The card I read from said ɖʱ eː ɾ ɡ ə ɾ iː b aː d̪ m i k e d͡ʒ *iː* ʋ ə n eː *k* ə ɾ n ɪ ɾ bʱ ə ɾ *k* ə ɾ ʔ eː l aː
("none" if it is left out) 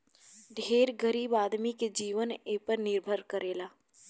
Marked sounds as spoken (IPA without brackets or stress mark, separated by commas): iː, p, k